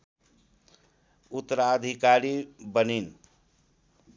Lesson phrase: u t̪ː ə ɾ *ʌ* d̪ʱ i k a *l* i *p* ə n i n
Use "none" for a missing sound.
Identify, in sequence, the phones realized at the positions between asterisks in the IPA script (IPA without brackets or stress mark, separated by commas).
a, ɾ, b